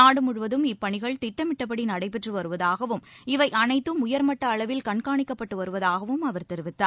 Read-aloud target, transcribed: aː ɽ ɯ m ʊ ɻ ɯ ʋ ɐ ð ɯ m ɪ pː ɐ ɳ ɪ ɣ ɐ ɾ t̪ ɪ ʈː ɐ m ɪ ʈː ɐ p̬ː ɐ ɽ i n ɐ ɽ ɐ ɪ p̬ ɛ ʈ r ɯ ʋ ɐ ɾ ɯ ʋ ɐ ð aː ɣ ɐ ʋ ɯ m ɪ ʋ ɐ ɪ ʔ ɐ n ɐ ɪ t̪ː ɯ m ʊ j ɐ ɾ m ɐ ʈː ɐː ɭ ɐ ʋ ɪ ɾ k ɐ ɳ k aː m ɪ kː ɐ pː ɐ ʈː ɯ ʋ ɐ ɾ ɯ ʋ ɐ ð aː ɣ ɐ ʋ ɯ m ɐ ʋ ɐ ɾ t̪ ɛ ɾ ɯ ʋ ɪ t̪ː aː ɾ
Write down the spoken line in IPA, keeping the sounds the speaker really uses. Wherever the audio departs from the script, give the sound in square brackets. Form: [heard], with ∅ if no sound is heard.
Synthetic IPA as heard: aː ɽ ɯ m ʊ ɻ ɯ ʋ ɐ ð ɯ m ɪ pː ɐ ɳ ɪ ɣ ɐ [ɭ] t̪ ɪ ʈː ɐ m ɪ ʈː ɐ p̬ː ɐ ɽ i n ɐ ɽ ɐ ɪ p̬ ɛ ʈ r ɯ ʋ ɐ ɾ ɯ ʋ ɐ ð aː ɣ ɐ ʋ ɯ m ɪ ʋ ɐ ɪ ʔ ɐ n ɐ ɪ t̪ː ɯ m ʊ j ɐ ɾ m ɐ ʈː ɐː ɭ ɐ ʋ ɪ [l] k ɐ ɳ k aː [ɳ] ɪ kː ɐ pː ɐ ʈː ɯ ʋ ɐ ɾ ɯ ʋ ɐ ð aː ɣ ɐ ʋ ɯ m ɐ ʋ ɐ ɾ t̪ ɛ ɾ ɯ ʋ ɪ t̪ː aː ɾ